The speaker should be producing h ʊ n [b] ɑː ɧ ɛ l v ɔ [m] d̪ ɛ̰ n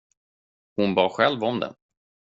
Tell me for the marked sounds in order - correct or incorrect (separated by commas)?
correct, correct